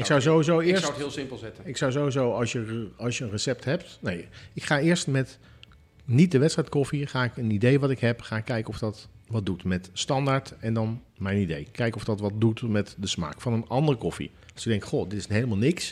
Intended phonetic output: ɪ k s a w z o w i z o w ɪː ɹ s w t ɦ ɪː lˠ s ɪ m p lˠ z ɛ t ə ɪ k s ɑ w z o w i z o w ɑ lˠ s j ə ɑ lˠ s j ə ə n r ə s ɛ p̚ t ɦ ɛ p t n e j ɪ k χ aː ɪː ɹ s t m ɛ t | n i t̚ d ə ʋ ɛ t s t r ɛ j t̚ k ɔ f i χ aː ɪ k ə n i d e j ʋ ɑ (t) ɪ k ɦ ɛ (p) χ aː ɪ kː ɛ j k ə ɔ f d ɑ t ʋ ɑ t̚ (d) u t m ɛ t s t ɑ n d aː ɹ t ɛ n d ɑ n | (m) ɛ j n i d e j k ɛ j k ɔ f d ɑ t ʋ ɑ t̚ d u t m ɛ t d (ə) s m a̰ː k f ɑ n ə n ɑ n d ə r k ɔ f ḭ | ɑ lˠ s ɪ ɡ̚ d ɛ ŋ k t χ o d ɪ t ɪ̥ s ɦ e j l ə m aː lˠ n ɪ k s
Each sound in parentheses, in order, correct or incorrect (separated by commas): correct, correct, correct, correct, correct